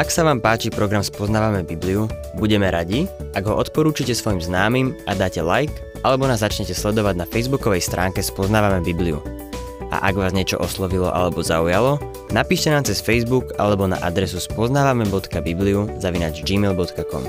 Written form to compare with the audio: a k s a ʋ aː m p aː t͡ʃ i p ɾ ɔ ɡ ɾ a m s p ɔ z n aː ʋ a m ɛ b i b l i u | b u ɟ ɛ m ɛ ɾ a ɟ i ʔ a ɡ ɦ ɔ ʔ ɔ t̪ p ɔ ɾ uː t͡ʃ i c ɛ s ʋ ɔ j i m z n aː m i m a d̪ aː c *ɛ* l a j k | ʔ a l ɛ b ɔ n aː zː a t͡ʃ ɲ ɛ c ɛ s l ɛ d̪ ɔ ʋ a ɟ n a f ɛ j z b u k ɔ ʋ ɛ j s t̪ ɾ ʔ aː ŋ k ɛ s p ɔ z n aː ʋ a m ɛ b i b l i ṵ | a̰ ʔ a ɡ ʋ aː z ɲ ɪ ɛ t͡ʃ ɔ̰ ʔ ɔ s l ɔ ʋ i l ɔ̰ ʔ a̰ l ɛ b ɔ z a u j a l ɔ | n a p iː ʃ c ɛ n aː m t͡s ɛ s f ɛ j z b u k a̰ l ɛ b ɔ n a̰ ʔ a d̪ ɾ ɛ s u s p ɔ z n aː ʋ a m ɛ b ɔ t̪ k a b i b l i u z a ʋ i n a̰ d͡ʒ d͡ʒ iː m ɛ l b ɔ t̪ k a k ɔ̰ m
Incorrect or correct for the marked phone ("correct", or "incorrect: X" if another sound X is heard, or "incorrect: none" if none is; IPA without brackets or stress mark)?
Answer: correct